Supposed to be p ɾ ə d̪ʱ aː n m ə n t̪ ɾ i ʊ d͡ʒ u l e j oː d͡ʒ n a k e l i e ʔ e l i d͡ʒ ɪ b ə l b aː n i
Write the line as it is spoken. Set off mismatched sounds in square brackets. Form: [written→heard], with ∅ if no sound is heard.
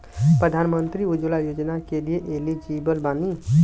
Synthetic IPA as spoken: p ɾ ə d̪ʱ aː n m ə n t̪ ɾ i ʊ d͡ʒ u l [e→a] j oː d͡ʒ n a k e l i e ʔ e l i d͡ʒ [ɪ→i] b ə l b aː n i